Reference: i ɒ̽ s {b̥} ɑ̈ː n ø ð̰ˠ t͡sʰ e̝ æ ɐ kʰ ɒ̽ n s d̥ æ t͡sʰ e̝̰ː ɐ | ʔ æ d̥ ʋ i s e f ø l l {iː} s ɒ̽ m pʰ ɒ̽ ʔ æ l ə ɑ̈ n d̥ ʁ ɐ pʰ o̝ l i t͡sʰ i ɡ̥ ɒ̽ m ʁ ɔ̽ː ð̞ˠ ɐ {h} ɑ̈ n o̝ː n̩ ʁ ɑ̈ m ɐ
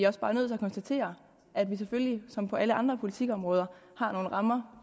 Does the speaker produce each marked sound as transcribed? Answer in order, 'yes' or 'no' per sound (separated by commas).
yes, no, yes